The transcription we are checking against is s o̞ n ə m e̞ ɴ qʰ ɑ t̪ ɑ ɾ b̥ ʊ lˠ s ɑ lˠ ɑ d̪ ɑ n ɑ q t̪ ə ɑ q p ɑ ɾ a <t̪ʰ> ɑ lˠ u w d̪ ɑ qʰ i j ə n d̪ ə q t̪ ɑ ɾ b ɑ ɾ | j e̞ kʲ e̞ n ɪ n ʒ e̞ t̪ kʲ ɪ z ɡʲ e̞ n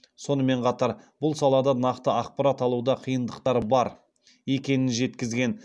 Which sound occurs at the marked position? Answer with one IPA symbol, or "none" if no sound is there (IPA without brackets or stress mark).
t̪